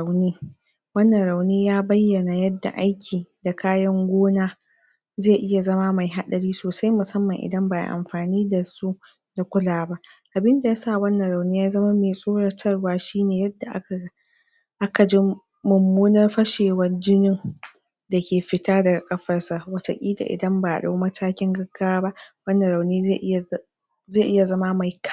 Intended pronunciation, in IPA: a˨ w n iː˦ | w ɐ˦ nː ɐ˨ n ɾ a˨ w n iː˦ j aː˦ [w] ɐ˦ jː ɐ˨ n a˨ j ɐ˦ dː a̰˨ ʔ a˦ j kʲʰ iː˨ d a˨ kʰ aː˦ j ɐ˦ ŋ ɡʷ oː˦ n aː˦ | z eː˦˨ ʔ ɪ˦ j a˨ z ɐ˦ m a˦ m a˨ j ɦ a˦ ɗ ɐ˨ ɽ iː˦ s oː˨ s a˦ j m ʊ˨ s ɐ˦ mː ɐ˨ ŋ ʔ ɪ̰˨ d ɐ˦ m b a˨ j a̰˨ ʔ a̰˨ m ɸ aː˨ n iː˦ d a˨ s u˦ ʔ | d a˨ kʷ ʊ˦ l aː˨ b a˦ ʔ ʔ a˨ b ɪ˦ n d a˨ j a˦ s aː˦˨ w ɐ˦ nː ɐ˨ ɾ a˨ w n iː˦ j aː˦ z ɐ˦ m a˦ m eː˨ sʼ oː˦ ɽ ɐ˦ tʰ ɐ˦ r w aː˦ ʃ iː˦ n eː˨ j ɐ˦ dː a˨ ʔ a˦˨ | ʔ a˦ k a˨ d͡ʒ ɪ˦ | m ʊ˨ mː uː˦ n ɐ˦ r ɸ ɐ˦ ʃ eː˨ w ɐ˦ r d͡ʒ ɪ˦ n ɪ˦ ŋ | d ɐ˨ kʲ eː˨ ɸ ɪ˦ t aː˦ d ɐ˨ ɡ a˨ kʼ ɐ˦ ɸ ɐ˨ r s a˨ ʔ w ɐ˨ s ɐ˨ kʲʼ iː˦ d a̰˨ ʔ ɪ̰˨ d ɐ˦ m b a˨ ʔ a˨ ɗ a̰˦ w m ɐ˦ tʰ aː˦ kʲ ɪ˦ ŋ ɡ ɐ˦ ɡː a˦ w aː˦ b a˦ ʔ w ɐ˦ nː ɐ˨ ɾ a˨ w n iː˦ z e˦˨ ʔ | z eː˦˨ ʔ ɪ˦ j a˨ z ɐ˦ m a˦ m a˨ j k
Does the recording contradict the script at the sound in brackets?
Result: yes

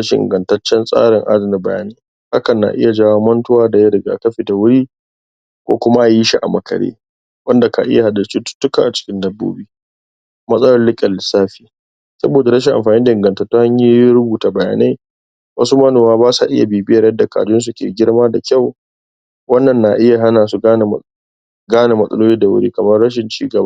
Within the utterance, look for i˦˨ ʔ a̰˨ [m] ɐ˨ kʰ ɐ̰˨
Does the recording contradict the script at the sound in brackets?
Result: no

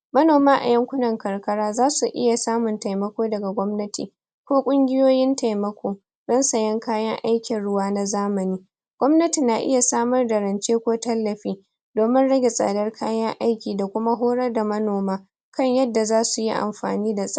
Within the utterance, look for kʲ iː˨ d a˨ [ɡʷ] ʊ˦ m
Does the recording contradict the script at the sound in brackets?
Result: yes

